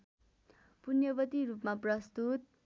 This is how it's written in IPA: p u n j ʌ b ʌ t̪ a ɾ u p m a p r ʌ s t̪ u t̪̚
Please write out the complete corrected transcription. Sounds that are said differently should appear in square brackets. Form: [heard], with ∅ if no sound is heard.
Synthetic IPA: p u n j ʌ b ʌ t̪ [i] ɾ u p m a p r ʌ s t̪ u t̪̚